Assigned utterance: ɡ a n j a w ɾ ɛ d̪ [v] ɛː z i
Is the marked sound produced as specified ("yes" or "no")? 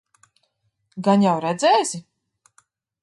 no